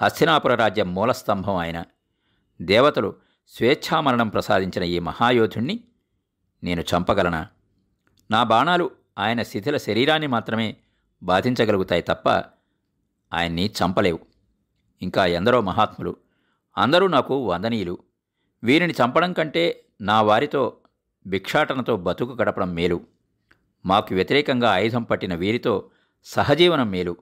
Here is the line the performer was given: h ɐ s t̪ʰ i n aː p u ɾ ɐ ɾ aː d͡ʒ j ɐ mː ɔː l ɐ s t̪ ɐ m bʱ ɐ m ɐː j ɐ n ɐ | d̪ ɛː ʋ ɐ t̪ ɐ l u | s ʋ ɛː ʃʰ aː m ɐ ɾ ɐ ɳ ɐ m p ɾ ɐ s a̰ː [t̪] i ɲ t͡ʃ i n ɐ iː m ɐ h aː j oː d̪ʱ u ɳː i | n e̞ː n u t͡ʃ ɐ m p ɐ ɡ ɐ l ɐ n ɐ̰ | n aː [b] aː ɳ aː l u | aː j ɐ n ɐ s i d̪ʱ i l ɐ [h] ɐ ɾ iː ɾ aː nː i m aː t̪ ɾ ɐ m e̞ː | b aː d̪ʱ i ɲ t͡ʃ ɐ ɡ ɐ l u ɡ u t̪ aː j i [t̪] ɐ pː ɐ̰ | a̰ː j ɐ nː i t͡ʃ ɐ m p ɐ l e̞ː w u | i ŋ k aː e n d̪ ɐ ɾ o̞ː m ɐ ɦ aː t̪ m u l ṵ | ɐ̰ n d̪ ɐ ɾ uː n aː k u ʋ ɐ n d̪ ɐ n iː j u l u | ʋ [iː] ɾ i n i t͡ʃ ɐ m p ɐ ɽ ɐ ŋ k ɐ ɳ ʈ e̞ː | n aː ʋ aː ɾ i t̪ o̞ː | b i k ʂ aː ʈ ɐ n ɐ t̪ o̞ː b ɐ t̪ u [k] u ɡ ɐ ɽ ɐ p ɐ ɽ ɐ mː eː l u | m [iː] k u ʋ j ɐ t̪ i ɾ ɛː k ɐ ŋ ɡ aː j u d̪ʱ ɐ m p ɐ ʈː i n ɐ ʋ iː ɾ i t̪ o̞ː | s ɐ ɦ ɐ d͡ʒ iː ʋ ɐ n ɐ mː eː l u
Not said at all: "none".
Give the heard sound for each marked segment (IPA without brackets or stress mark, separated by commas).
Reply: d̪, b, ʃ, t̪, iː, k, aː